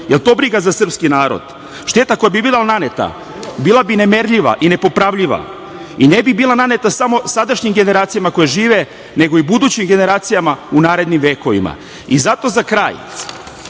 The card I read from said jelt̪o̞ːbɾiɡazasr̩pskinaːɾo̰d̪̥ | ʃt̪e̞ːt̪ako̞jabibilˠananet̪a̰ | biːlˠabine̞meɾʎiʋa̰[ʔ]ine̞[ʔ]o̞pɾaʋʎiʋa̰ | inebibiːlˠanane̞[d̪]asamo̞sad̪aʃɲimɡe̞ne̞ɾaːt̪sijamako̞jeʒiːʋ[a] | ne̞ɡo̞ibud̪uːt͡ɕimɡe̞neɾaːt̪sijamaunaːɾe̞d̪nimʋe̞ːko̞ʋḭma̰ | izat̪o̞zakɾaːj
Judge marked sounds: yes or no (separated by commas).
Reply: yes, no, no, no